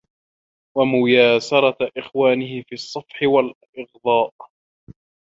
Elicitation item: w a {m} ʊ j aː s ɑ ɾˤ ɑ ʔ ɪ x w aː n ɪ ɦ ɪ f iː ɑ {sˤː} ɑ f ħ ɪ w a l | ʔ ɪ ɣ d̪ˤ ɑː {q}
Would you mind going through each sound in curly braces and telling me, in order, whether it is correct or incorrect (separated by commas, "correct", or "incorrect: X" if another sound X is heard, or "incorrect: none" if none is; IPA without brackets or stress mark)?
correct, correct, incorrect: ʔ